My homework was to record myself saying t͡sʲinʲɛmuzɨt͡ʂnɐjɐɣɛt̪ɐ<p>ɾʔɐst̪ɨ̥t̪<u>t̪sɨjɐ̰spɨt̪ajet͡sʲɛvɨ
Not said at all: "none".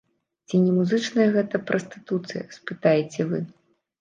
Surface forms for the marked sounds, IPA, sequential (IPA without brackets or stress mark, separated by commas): p, u